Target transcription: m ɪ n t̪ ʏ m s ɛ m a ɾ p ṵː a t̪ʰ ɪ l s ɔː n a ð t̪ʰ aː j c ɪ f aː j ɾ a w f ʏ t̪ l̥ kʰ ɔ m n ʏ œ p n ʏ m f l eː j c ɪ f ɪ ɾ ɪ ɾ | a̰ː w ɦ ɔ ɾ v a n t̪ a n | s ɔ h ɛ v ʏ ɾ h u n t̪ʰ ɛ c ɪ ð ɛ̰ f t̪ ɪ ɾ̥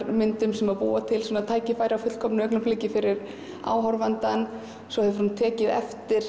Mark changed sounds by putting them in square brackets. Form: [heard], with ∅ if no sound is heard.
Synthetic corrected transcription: m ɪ n t̪ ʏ m s ɛ m a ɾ p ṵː a t̪ʰ ɪ l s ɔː n a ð t̪ʰ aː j c ɪ f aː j ɾ a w f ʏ t̪ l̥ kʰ ɔ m n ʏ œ [k] n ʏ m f l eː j c ɪ f ɪ ɾ ɪ ɾ | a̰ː w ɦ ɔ ɾ v a n t̪ a n | s ɔ h ɛ v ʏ ɾ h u n t̪ʰ [ɛː] c ɪ ð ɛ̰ f t̪ ɪ ɾ̥